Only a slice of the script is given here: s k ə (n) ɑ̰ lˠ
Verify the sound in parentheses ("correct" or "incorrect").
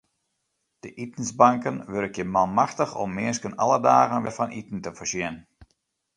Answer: correct